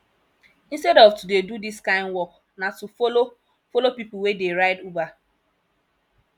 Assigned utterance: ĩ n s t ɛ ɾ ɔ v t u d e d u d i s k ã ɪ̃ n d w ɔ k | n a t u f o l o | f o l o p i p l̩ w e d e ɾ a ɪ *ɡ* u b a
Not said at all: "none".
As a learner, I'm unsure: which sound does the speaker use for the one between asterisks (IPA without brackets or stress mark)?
d